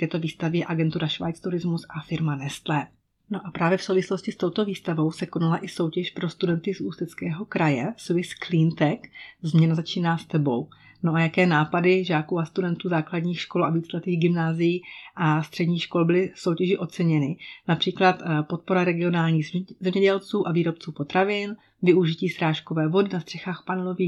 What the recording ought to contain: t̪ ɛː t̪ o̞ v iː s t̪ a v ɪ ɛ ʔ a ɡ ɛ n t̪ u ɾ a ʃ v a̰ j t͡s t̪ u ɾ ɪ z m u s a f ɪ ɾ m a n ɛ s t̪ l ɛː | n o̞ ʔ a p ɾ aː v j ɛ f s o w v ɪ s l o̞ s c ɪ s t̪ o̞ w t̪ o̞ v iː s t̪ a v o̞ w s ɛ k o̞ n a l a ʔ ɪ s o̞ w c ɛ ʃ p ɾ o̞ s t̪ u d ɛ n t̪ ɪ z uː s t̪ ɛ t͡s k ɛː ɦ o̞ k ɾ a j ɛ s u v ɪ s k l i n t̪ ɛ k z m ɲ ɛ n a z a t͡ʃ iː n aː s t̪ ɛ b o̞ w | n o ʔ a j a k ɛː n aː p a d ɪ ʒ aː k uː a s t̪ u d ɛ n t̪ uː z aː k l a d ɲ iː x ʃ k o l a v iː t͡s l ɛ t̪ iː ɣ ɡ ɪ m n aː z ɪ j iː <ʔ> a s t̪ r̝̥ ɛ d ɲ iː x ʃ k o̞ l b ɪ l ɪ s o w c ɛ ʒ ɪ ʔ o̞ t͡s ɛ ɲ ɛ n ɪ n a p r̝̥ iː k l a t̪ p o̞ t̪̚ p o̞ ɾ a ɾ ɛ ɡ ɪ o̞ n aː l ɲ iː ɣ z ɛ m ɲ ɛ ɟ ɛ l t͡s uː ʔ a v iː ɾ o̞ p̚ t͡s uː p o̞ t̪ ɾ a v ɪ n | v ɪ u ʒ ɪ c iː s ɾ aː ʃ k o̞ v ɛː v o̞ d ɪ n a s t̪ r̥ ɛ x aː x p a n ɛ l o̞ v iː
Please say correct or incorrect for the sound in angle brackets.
correct